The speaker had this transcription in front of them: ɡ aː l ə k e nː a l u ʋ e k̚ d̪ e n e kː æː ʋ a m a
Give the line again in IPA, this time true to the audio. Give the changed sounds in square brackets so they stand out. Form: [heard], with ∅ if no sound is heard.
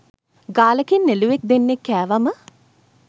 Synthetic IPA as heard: ɡ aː l ə k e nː [e] l u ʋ e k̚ d̪ e [nː] e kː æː ʋ a m [ə]